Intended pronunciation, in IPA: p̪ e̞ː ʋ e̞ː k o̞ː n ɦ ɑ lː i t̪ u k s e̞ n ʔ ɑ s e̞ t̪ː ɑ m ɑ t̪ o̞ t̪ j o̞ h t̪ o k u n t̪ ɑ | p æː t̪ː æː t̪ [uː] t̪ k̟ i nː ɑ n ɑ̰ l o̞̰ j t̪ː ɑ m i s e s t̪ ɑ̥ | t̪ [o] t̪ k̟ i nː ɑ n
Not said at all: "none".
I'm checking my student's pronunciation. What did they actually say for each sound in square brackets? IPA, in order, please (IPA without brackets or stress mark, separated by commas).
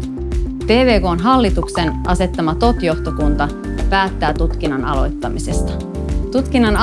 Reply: u, u